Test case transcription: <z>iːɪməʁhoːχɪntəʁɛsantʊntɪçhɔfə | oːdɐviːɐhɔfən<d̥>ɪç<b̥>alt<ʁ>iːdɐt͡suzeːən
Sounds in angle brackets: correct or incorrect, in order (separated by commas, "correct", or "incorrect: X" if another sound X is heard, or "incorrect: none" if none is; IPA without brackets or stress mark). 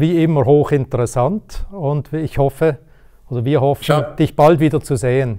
incorrect: v, correct, correct, incorrect: v